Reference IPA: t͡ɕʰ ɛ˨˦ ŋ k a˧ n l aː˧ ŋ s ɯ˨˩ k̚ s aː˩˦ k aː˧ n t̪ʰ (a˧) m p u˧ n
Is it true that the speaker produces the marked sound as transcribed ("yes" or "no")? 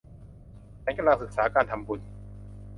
yes